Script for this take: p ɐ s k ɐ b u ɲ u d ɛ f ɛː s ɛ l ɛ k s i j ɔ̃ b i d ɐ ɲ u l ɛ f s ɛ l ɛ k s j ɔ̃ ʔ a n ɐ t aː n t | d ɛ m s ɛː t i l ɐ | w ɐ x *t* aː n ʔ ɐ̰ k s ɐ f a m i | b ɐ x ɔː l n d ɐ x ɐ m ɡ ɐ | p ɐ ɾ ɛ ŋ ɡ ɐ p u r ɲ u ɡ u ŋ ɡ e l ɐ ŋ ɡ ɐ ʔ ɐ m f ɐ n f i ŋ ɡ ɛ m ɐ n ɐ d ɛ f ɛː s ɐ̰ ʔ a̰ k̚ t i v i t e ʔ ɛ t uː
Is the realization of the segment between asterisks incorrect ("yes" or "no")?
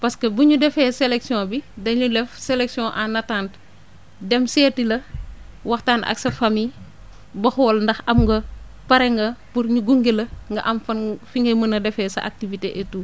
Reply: no